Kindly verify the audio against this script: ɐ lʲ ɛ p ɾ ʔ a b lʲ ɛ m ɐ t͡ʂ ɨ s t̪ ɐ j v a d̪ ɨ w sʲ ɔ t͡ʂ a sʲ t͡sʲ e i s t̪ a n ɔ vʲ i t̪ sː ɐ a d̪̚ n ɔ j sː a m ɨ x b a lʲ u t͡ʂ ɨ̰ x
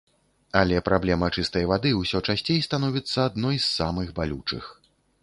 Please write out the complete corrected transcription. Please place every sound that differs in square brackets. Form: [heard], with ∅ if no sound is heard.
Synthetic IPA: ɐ lʲ ɛ p ɾ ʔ a b lʲ ɛ m ɐ t͡ʂ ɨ s t̪ ɐ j v a d̪ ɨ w sʲ ɔ t͡ʂ a sʲ t͡sʲ e [j] s t̪ a n ɔ vʲ i t̪ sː ɐ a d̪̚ n ɔ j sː a m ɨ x b a lʲ u t͡ʂ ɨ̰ x